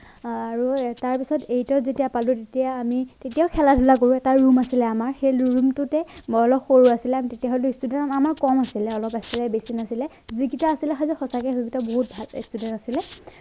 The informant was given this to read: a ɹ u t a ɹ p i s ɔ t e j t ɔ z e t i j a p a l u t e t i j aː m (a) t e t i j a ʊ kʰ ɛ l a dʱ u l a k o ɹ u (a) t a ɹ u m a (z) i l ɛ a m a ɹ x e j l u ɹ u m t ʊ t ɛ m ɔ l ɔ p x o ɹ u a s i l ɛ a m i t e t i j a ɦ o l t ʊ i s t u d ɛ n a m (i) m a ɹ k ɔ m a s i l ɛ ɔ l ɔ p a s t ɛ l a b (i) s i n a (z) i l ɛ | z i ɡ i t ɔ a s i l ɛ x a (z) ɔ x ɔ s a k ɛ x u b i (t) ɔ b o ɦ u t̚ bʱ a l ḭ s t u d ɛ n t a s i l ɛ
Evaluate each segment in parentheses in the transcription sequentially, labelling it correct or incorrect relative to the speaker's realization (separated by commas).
incorrect, incorrect, incorrect, incorrect, incorrect, incorrect, correct, correct